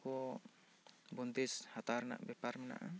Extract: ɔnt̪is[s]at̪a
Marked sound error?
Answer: yes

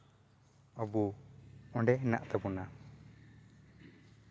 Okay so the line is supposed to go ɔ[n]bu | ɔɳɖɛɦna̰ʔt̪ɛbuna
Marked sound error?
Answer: yes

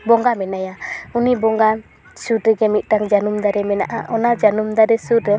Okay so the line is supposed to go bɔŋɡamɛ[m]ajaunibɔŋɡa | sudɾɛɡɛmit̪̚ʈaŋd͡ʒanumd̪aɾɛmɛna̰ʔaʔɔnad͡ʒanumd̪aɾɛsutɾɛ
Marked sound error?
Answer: yes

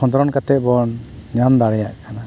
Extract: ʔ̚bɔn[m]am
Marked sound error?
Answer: yes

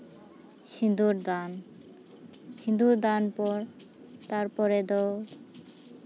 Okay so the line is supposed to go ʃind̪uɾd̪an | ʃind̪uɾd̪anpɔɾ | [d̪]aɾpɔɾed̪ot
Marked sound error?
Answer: yes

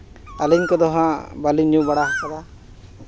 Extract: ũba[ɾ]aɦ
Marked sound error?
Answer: yes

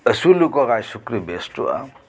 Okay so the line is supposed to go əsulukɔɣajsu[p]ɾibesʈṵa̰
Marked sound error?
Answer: yes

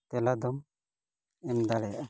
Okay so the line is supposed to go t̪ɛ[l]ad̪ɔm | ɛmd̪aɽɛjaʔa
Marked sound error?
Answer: no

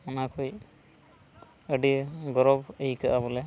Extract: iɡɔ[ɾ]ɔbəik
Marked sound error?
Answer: no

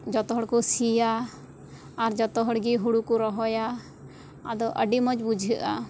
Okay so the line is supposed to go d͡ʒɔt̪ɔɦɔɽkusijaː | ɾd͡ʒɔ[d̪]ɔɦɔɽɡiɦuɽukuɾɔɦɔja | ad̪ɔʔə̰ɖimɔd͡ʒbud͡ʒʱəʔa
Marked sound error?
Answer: yes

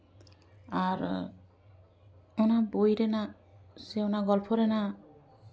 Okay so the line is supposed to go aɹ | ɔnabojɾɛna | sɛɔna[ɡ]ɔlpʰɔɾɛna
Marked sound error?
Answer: no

